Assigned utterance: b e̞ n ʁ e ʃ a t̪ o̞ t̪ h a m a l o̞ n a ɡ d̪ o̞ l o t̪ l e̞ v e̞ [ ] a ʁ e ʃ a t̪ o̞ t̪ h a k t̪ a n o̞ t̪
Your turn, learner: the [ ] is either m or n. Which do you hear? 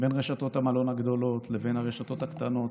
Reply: n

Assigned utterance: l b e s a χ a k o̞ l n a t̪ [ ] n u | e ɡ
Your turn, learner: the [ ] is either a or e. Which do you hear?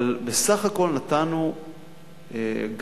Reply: a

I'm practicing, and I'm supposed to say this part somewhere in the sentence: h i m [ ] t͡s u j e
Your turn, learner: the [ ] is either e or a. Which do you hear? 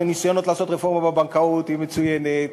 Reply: e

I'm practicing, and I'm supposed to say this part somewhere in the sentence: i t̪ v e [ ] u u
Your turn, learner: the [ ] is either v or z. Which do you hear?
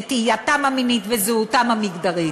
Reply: z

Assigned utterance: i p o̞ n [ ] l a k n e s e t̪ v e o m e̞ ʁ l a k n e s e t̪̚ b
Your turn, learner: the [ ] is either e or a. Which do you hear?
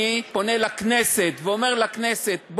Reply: e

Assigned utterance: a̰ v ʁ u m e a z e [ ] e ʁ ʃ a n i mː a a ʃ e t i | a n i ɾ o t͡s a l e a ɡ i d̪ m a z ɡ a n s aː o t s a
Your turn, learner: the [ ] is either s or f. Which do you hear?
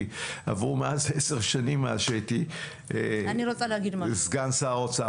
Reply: s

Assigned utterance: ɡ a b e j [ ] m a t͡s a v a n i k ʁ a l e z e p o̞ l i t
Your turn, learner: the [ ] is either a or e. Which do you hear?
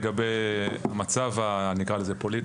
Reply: a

